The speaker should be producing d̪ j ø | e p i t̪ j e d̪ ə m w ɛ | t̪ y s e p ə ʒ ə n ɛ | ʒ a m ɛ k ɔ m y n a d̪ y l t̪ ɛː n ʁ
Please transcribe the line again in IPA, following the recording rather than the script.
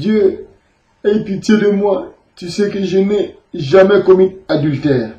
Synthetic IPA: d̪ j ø | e p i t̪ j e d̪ ə m w a | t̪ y s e k ə ʒ ə n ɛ | ʒ a m ɛ k ɔ m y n a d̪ y l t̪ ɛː ʁ